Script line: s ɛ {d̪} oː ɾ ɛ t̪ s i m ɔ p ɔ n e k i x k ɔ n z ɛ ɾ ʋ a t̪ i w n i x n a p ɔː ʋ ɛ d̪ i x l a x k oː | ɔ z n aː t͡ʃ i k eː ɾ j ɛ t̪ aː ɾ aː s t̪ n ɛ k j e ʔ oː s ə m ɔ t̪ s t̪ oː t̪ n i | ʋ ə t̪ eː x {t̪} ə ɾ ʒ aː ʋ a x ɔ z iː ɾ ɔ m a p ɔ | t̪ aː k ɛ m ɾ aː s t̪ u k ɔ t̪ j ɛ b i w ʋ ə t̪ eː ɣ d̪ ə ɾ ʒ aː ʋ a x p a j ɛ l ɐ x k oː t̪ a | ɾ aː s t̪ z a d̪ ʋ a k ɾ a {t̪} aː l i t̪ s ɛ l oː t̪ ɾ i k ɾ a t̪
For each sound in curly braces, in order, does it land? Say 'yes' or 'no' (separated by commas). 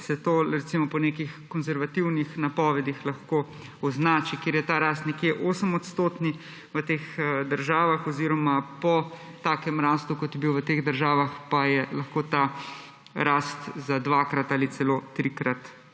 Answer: no, no, yes